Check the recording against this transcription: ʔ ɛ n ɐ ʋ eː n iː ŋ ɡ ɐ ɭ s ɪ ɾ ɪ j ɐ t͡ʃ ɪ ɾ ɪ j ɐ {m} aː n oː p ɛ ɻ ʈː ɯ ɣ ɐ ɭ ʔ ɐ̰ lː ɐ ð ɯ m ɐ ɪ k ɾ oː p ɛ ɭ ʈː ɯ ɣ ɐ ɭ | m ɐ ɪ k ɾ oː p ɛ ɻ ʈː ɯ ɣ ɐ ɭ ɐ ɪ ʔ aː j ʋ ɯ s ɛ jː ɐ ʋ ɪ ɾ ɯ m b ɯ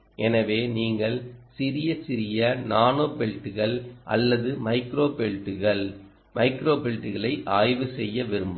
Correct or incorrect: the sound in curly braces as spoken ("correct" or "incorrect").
incorrect